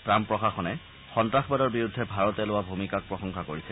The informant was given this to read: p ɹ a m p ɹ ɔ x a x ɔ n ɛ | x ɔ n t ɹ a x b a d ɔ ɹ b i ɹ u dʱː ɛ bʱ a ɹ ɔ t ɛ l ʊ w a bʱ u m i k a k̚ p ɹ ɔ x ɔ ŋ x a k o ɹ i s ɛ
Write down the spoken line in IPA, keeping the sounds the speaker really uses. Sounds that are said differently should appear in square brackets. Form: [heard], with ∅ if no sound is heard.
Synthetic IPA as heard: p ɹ a m p ɹ ɔ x a x ɔ n ɛ | x ɔ n t ɹ a x b a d ɔ ɹ b i ɹ u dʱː ɛ bʱ a ɹ ɔ t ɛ l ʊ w a bʱ u m i k a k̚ p ɹ ɔ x ɔ ŋ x a k o ɹ i s ɛ